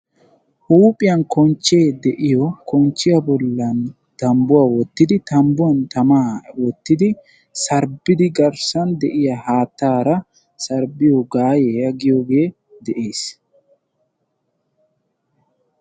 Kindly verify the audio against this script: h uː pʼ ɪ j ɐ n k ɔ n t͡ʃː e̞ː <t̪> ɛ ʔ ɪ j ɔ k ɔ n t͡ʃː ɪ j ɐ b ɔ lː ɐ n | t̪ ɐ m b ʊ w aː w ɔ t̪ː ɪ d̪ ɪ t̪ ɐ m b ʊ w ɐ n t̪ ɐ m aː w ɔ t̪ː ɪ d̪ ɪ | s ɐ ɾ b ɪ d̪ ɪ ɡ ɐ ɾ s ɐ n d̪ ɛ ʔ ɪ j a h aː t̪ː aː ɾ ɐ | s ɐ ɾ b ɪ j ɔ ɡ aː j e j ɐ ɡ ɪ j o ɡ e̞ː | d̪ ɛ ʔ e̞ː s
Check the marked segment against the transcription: incorrect: d̪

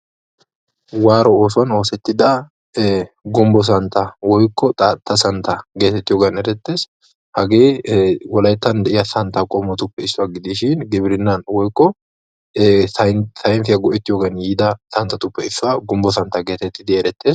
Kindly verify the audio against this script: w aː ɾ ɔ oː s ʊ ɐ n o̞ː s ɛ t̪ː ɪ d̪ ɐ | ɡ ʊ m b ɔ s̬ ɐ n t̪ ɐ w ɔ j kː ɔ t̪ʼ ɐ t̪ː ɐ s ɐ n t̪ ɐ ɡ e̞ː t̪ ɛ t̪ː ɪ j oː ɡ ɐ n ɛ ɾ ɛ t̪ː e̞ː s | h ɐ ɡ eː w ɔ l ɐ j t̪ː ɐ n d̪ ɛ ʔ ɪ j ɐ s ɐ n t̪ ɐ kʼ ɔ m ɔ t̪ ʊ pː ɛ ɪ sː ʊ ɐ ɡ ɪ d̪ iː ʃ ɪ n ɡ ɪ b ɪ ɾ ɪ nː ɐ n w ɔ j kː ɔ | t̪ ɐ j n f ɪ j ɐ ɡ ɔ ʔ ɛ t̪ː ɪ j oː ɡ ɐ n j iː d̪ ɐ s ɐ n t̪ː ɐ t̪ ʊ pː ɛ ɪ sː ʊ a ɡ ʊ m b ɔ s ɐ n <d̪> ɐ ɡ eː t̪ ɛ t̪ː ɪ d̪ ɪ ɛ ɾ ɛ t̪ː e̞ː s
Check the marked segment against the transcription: incorrect: t̪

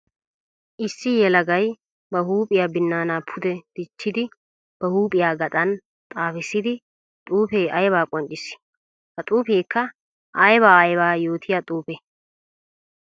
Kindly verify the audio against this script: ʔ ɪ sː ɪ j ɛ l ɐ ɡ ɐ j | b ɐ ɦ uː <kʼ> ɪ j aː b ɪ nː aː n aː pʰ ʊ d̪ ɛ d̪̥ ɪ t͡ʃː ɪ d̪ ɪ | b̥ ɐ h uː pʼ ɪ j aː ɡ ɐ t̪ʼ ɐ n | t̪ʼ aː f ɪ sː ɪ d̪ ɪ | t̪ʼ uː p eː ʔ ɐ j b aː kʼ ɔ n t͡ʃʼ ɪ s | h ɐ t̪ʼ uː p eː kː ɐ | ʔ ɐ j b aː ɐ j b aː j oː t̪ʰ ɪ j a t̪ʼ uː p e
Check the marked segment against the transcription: incorrect: pʼ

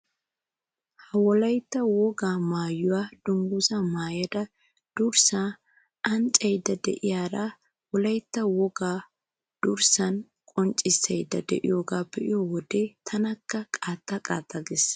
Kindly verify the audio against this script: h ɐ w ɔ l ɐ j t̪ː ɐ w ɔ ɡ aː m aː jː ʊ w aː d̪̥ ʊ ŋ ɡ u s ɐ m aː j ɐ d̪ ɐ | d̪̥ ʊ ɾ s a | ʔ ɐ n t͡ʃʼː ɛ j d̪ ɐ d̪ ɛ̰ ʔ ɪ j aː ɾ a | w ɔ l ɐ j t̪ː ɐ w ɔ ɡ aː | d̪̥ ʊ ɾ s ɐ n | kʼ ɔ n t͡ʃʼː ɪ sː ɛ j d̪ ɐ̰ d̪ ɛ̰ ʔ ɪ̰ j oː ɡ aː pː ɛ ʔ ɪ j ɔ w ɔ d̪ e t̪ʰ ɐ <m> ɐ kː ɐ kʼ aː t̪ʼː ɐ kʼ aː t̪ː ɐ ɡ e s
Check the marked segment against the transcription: incorrect: n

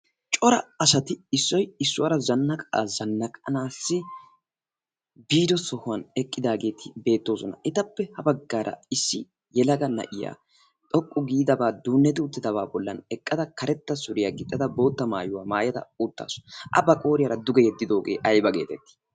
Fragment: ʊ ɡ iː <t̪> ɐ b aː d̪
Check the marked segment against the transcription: incorrect: d̪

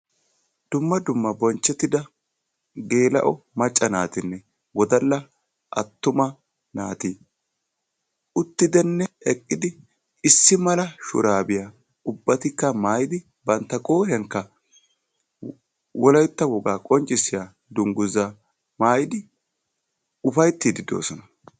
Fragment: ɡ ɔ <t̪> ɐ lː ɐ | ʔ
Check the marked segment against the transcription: incorrect: d̪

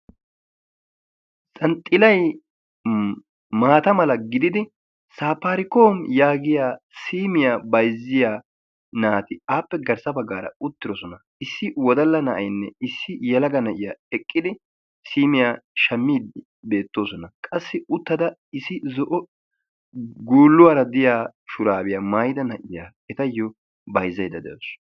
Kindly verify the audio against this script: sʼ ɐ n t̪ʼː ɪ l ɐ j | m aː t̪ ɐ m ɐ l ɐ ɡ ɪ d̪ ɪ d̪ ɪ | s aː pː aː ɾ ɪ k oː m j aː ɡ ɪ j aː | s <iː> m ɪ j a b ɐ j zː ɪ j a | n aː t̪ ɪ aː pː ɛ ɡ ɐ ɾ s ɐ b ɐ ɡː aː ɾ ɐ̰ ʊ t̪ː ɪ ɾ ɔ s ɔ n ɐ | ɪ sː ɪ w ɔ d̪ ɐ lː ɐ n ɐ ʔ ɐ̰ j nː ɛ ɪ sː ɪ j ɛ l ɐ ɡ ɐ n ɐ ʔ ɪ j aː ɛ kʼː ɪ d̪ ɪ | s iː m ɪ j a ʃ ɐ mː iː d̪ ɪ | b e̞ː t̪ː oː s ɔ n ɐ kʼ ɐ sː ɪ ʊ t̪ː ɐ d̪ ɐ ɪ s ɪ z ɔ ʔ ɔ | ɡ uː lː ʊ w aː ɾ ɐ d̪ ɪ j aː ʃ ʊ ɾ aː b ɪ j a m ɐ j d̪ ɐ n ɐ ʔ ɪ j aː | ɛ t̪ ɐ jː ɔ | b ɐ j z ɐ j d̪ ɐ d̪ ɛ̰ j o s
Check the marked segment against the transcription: correct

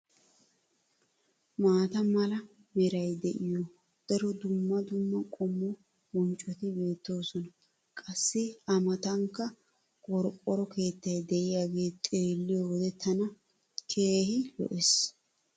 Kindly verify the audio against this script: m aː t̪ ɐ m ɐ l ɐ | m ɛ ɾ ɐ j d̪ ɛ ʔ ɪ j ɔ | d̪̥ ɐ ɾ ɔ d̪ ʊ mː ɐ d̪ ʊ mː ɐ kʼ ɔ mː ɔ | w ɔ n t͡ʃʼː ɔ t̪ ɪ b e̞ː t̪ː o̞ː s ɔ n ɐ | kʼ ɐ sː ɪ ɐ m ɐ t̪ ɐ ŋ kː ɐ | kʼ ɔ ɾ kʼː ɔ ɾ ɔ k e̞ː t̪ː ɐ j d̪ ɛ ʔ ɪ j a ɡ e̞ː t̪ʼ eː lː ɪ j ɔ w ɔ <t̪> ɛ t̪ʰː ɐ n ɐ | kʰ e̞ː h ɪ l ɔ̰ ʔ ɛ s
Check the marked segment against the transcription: incorrect: d̪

